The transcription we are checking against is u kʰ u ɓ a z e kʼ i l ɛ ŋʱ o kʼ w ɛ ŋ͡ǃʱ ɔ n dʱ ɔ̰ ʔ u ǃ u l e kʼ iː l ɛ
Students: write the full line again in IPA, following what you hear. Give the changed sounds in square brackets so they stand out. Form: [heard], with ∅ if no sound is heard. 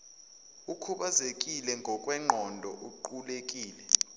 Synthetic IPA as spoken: u kʰ u ɓ a z e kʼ i l ɛ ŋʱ [ɔ] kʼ w ɛ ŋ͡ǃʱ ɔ n dʱ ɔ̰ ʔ u ǃ u l e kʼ iː l ɛ